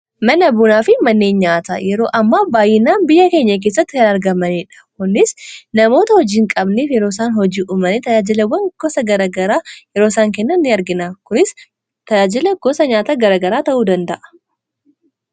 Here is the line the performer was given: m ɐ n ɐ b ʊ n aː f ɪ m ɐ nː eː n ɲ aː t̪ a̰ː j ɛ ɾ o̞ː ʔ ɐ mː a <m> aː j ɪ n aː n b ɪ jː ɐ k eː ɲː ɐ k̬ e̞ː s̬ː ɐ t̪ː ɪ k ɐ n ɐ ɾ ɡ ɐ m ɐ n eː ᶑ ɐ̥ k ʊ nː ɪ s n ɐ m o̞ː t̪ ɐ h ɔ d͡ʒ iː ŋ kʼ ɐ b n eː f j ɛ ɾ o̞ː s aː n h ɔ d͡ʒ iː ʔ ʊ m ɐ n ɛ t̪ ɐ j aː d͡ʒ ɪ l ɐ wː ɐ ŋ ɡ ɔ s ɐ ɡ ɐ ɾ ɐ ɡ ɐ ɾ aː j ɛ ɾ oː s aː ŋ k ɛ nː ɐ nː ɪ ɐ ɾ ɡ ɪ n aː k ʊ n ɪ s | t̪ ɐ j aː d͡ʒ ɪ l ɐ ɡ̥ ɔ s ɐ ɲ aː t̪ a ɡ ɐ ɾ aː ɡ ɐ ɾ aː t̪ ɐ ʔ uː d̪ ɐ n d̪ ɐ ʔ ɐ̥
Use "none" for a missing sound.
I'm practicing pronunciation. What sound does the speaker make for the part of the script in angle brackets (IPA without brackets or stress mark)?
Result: b